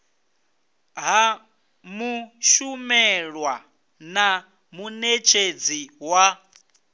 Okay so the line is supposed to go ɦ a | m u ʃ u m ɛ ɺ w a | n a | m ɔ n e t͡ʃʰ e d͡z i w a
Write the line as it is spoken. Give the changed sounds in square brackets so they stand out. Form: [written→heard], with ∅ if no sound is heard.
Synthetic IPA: ɦ a | m u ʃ u m ɛ ɺ w a | n a | m [ɔ→u] n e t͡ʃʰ e d͡z i w a